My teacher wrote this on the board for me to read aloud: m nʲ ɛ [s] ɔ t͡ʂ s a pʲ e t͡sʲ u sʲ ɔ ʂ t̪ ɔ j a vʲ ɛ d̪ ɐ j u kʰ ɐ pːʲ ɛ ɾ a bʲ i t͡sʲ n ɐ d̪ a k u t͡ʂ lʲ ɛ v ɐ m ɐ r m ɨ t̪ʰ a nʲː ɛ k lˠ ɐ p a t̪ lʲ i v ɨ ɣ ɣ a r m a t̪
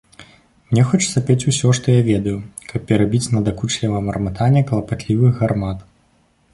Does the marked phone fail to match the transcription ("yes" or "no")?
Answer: yes